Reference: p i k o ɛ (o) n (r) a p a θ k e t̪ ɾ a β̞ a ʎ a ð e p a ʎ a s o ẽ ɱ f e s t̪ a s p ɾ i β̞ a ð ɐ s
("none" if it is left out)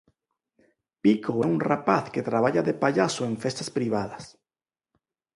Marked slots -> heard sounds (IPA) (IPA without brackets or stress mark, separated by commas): u, r